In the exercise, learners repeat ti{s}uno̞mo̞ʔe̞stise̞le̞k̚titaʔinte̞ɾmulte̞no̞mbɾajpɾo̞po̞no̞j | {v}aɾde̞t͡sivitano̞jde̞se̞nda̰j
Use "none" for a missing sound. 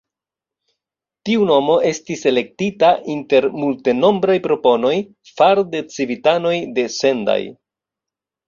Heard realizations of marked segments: none, f

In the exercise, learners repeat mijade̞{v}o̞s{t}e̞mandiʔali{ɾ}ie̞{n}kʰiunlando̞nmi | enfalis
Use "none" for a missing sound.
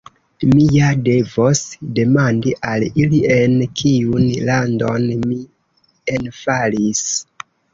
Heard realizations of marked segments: v, d, l, n

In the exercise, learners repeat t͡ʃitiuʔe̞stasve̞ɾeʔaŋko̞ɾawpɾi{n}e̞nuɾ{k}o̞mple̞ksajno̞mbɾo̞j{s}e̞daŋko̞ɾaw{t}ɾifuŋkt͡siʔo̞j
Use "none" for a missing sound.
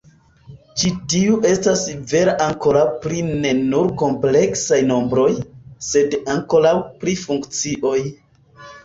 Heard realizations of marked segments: n, k, s, p

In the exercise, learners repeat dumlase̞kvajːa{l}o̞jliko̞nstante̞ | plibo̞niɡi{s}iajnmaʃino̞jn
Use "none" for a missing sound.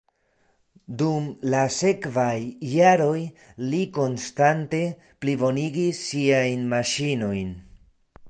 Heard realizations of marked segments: ɾ, sː

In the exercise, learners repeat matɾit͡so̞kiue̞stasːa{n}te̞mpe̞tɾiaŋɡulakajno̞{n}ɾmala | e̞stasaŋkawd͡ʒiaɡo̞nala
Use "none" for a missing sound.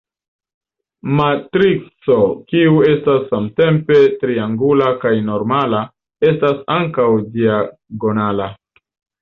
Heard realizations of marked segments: m, none

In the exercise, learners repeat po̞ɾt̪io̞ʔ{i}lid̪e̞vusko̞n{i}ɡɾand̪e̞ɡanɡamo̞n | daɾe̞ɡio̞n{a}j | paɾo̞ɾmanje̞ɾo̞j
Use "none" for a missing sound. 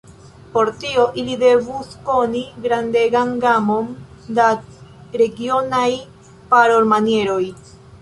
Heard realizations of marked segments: i, i, a

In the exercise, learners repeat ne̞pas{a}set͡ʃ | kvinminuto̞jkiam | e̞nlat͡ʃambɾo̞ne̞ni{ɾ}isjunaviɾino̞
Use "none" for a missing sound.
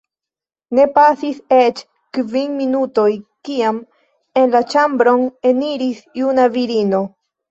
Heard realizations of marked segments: i, ɾ

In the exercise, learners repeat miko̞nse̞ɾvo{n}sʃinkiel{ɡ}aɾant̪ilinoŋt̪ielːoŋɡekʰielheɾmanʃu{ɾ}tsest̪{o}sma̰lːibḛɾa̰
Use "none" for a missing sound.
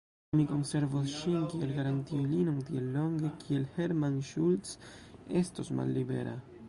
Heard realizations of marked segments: none, ɡ, l, o

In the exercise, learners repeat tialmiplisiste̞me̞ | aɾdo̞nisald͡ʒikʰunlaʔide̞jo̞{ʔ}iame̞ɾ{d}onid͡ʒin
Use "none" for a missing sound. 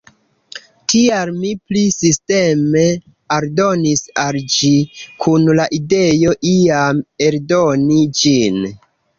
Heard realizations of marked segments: ʔ, d

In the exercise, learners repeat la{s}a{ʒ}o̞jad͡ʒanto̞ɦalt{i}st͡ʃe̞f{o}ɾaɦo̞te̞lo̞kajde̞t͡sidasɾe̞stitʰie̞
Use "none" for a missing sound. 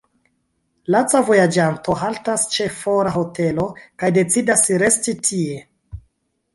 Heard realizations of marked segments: t͡s, v, a, o

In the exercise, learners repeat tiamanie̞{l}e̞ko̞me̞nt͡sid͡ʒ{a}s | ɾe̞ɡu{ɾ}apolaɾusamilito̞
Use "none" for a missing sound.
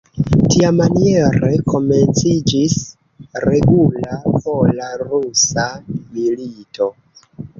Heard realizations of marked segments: ɾ, i, l

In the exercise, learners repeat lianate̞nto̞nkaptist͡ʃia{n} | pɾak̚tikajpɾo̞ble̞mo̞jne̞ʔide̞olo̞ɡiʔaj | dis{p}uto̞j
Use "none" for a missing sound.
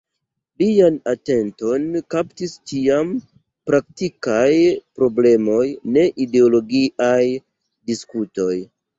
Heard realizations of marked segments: m, k

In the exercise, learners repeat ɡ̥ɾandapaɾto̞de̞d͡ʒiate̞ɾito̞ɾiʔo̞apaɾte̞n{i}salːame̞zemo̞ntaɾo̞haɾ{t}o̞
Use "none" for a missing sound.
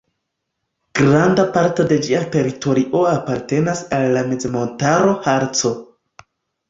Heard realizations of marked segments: a, t͡s

